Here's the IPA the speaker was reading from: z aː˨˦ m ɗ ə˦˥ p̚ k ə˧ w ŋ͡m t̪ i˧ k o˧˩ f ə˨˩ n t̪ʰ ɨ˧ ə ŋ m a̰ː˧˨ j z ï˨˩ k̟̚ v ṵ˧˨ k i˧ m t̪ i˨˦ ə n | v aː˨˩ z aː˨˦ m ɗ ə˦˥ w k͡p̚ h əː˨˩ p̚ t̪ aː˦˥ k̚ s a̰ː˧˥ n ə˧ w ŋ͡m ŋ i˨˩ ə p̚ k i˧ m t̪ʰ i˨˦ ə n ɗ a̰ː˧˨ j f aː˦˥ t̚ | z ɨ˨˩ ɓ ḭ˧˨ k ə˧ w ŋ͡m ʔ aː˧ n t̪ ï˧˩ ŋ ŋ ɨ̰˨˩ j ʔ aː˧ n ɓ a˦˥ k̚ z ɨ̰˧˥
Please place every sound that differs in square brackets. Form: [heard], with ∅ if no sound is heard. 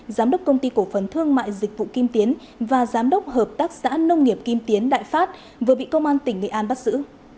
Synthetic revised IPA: z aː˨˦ m ɗ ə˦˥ [k͡p̚] k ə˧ w ŋ͡m t̪ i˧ k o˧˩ f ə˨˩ n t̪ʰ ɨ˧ ə ŋ m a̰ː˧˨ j z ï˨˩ k̟̚ v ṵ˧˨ k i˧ m t̪ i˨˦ ə n | v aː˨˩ z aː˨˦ m ɗ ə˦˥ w k͡p̚ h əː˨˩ p̚ t̪ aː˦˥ k̚ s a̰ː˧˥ n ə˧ w ŋ͡m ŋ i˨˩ ə p̚ k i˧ m [t̪] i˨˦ ə n ɗ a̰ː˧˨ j f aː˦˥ t̚ | [v] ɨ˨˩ ɓ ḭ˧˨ k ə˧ w ŋ͡m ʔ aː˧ n t̪ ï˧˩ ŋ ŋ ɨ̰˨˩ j ʔ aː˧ n ɓ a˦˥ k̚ z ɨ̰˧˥